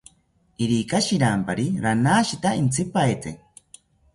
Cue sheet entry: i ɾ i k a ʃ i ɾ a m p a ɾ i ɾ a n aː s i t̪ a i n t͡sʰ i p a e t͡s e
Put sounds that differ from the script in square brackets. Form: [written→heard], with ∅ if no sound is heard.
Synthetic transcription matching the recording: i ɾ i k a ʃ i ɾ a m p a ɾ i ɾ a n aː [s→ʃ] i t̪ a i n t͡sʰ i p a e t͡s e